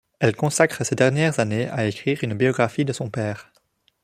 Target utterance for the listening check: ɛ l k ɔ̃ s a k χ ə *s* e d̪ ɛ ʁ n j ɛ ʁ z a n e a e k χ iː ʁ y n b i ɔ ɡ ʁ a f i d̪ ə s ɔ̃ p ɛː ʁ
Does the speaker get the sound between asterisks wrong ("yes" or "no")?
no